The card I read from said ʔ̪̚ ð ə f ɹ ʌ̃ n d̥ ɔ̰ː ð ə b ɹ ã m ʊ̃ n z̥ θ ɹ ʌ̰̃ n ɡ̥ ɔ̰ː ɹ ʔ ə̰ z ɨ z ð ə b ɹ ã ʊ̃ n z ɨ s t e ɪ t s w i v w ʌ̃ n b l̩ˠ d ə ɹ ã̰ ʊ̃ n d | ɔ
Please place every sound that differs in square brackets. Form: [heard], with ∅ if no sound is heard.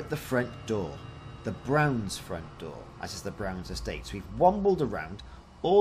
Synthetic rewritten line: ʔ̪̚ ð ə f ɹ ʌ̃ n d̥ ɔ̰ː ð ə b ɹ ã [∅] ʊ̃ n z̥ [f] ɹ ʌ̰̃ n [d̥] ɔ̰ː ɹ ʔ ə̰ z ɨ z ð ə b ɹ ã ʊ̃ n z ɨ s t e ɪ t s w i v w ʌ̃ [m] b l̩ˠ d ə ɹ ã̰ ʊ̃ n d | ɔ